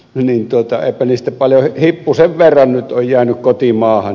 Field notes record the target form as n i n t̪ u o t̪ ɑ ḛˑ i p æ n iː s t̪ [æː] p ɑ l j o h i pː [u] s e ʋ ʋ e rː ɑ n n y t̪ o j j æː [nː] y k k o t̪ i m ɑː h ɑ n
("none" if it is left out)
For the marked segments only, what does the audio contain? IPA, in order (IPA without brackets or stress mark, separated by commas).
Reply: æ, u, n